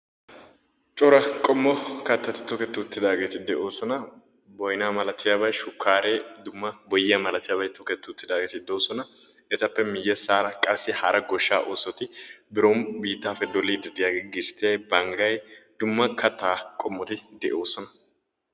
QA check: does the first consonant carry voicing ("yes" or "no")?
no